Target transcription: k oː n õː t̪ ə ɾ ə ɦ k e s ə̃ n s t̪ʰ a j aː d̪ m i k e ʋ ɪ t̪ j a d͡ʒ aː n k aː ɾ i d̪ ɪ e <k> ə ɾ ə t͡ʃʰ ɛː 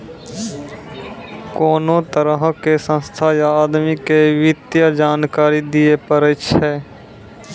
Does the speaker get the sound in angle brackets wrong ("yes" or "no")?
yes